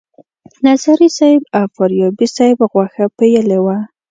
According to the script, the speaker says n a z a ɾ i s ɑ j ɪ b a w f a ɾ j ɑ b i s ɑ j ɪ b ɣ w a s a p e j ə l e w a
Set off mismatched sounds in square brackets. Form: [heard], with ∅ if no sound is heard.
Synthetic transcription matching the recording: n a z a ɾ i s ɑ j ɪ b a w f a ɾ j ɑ b i s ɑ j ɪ b ɣ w a [x] a p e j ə l e w a